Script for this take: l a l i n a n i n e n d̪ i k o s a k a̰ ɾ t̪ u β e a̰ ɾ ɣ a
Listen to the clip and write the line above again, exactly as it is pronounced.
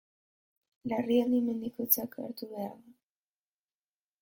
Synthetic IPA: l a r i a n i m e n d̪ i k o t͡s a k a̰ ɾ t̪ u β e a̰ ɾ ð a